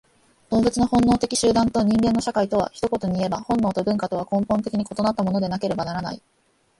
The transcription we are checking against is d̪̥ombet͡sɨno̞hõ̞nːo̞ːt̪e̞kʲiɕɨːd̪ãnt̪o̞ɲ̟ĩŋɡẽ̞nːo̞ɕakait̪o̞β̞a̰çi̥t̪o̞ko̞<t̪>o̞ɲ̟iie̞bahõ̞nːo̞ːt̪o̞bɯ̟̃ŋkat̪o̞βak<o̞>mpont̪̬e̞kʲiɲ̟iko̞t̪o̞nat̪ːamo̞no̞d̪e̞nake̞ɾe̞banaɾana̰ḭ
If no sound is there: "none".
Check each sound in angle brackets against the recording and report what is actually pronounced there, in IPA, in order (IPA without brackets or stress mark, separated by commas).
t̪, õ̞